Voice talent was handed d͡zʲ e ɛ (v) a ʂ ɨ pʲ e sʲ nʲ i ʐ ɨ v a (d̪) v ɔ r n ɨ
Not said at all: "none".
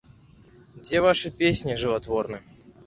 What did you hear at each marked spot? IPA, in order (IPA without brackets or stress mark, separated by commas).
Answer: v, t̪